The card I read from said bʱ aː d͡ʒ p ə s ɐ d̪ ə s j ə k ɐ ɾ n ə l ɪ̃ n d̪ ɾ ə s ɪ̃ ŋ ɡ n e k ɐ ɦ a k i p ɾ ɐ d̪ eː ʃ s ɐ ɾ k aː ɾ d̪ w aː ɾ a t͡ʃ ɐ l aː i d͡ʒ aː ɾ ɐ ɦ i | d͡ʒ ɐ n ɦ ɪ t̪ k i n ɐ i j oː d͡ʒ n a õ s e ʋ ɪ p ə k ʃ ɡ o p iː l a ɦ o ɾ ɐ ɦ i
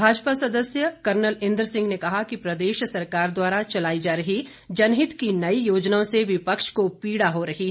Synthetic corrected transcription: bʱ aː d͡ʒ p a s ɐ d̪ ə s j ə k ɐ ɾ n ə l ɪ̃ n d̪ ɾ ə s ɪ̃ ŋ ɡ n e k ɐ ɦ a k i p ɾ ɐ d̪ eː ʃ s ɐ ɾ k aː ɾ d̪ w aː ɾ a t͡ʃ ɐ l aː i d͡ʒ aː ɾ ɐ ɦ i | d͡ʒ ɐ n ɦ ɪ t̪ k i n ɐ i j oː d͡ʒ n a õ s e ʋ ɪ p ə k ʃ k o p iː ɽ a ɦ o ɾ ɐ ɦ i